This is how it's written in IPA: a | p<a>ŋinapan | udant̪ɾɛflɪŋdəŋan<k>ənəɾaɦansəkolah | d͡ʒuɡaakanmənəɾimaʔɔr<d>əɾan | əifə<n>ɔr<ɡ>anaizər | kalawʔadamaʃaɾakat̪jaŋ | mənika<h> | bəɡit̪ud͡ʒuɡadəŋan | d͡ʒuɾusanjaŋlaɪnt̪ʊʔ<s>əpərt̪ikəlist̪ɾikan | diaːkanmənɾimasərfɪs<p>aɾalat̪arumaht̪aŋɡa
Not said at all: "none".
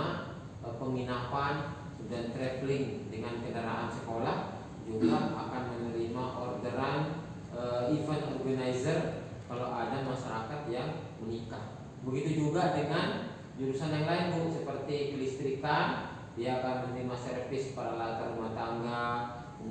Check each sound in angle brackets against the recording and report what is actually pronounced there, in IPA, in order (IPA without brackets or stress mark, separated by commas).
ə, k, d, n, ɡ, h, s, p